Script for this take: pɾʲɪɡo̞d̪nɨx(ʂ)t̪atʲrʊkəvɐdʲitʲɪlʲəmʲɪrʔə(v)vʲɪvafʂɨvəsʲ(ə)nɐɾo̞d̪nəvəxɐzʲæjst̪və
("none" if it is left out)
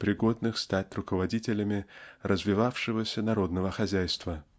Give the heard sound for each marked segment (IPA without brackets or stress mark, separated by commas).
s, z, ə